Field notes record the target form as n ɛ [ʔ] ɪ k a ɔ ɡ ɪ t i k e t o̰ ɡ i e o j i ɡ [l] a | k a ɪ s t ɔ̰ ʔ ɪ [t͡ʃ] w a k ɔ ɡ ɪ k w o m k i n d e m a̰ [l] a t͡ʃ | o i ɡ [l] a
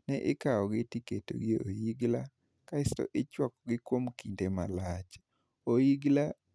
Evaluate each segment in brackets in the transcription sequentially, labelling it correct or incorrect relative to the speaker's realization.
correct, correct, correct, correct, correct

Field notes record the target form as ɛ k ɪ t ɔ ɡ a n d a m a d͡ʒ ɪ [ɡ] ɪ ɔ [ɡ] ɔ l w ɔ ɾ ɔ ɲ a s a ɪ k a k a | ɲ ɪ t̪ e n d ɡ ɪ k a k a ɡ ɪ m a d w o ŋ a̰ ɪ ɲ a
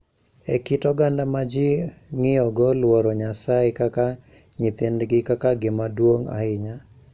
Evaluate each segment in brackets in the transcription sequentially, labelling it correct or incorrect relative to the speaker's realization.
incorrect: ŋ, correct

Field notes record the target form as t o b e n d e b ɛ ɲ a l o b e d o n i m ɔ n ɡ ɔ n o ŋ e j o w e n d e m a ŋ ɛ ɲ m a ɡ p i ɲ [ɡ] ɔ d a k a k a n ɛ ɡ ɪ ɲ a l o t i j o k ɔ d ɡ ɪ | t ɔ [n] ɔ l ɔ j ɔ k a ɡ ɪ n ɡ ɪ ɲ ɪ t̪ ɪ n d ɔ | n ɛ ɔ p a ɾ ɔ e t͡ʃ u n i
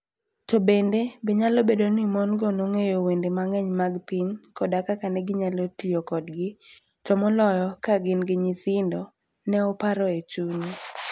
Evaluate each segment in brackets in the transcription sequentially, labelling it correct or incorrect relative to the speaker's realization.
incorrect: k, incorrect: m

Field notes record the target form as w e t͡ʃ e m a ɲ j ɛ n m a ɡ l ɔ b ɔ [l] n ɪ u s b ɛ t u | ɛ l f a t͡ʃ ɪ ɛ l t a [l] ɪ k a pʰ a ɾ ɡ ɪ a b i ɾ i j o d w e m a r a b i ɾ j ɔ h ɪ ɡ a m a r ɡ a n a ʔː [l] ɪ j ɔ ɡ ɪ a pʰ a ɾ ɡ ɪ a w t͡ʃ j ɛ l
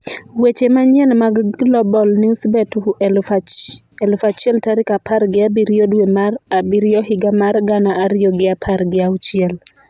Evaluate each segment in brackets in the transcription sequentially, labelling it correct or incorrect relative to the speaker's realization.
correct, incorrect: ɾ, incorrect: ɾ

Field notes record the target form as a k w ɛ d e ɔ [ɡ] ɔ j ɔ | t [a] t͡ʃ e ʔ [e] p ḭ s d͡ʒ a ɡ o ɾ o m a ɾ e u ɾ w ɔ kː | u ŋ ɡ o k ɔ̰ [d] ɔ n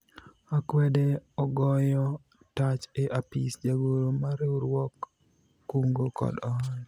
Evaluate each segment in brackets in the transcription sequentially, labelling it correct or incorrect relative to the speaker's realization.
correct, correct, incorrect: a, correct

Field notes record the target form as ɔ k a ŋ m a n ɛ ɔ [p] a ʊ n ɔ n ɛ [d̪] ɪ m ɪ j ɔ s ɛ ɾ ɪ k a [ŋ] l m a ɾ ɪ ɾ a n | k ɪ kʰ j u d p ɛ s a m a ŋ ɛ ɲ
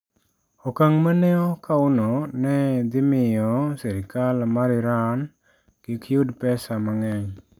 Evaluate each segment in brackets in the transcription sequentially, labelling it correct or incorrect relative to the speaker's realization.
incorrect: k, correct, incorrect: none

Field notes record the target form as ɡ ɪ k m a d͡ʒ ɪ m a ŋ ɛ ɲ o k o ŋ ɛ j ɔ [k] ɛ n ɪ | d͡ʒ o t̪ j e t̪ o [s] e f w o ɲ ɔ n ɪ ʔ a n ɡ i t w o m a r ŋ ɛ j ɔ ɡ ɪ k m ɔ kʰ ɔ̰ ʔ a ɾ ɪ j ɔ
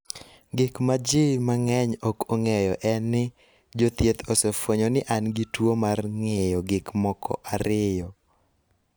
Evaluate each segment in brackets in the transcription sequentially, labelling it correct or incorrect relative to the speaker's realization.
incorrect: ʔ, correct

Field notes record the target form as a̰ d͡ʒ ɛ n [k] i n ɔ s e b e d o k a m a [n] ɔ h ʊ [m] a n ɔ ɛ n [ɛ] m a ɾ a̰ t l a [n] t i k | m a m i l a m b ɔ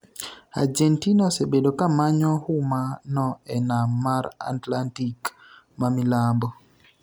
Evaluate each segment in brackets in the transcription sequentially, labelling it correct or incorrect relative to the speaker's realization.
incorrect: t, incorrect: ɲ, correct, incorrect: a, correct

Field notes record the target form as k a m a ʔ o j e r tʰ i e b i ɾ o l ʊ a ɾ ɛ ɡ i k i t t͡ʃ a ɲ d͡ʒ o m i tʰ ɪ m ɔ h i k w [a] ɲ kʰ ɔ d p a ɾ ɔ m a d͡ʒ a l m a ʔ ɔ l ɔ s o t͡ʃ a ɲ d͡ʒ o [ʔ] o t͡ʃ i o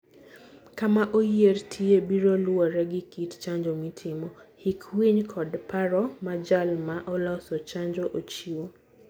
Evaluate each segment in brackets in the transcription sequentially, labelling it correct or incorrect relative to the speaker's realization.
incorrect: i, correct

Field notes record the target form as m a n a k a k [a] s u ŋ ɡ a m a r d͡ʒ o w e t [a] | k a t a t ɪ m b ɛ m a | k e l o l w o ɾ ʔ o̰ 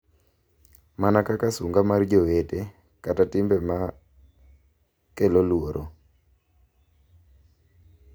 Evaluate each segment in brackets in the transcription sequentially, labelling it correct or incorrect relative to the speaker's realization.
correct, incorrect: e

